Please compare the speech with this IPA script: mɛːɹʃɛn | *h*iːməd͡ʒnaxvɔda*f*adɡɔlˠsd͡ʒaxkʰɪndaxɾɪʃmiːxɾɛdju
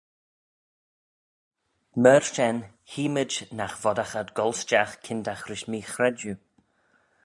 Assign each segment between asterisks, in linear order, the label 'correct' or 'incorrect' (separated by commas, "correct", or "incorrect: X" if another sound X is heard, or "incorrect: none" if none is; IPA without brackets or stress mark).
correct, incorrect: x